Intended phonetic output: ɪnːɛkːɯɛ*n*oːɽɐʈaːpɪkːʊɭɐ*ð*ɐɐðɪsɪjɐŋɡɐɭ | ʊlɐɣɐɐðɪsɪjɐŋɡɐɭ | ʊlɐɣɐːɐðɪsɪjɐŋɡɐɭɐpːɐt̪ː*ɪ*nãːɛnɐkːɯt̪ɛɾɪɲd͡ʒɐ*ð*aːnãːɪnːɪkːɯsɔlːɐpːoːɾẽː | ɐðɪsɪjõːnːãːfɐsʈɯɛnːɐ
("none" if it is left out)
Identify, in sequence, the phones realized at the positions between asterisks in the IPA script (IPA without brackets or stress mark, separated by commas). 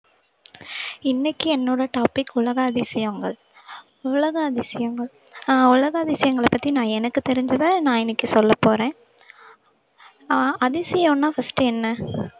nː, ɣ, i, ð